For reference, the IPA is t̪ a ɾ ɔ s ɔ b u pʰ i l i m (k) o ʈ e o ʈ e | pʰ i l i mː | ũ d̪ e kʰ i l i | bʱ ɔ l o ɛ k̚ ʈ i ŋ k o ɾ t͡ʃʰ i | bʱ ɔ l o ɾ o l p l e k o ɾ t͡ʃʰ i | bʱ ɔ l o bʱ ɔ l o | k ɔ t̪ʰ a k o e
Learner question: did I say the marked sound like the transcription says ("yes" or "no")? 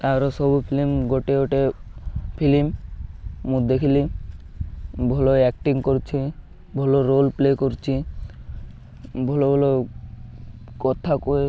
no